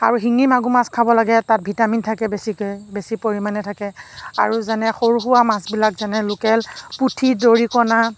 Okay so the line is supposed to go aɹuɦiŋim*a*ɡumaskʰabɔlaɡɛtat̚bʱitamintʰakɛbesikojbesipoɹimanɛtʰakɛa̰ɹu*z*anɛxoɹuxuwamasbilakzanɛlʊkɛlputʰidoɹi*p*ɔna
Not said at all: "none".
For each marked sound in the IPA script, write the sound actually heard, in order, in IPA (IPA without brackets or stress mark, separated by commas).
a, z, k